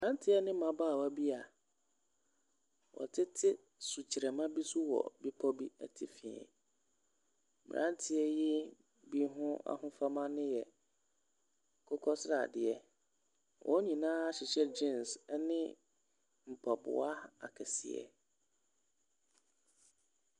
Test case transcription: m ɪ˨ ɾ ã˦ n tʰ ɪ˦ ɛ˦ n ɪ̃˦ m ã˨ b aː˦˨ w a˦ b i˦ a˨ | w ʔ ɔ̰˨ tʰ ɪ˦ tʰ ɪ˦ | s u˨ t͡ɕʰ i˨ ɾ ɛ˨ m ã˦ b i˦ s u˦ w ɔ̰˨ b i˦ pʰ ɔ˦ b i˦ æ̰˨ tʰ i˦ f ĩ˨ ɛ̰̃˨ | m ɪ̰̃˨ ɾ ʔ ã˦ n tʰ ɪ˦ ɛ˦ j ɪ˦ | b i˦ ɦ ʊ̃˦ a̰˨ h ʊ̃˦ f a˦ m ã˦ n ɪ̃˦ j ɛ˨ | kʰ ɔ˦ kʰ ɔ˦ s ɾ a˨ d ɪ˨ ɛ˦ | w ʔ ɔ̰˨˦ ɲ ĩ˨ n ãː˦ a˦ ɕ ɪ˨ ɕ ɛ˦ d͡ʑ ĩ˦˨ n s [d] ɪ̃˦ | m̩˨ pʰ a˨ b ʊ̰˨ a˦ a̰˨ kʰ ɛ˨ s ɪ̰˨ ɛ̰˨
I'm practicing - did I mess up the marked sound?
yes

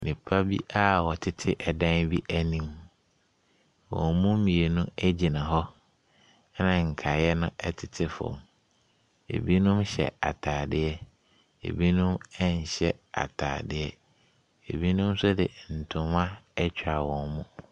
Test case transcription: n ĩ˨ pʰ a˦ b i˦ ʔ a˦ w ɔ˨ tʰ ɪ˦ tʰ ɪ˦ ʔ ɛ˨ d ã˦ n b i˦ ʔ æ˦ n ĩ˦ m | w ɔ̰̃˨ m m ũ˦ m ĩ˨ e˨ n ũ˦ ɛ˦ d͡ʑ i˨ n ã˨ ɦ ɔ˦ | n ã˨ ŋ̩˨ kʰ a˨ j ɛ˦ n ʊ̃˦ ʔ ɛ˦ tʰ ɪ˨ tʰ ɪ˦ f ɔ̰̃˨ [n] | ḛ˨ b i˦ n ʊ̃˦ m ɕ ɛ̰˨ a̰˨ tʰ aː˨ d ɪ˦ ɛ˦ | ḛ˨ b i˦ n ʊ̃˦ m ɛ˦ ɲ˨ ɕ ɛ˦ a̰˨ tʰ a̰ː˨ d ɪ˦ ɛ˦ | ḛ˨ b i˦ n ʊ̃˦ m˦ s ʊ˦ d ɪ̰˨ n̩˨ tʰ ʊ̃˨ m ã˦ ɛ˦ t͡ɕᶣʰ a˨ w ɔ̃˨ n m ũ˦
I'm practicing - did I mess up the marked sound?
yes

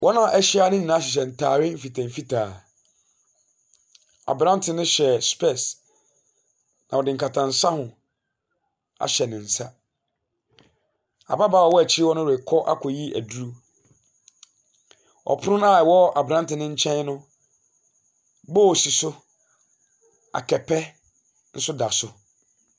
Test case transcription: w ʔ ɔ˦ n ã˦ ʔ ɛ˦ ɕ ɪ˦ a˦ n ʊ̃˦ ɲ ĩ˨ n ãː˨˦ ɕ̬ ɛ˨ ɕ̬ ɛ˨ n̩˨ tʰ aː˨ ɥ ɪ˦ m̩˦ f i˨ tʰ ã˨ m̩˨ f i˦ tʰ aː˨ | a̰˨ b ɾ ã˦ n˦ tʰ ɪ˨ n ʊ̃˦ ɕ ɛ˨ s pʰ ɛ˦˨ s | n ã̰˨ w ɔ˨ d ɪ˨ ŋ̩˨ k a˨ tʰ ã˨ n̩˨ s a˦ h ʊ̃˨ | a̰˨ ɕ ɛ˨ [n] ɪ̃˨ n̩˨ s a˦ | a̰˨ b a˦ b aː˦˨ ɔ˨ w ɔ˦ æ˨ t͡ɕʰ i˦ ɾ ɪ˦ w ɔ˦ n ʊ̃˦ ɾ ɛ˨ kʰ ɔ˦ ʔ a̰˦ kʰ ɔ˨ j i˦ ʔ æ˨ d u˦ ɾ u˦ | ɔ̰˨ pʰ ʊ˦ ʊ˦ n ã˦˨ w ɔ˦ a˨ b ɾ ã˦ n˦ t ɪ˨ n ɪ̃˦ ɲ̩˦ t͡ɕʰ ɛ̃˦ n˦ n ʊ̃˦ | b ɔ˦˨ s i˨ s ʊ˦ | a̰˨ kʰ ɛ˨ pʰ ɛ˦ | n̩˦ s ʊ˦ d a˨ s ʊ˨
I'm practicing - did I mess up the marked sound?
no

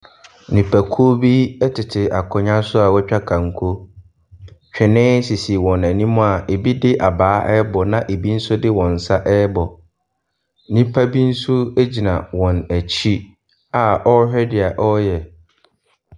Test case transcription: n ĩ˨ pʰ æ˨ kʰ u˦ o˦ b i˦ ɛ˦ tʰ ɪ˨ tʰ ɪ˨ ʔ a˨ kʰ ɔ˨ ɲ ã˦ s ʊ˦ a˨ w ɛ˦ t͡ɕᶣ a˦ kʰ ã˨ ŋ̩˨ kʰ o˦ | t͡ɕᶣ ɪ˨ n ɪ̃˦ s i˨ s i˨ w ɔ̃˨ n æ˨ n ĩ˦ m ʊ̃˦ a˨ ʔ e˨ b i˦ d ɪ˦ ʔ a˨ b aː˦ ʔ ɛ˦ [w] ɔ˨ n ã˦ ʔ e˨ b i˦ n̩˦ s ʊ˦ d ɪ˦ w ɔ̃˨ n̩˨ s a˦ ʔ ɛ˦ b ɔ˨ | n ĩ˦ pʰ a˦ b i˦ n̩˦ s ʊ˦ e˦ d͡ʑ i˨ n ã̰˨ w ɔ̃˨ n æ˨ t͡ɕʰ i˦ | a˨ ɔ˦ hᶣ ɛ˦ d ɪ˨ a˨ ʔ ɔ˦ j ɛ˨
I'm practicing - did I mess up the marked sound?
yes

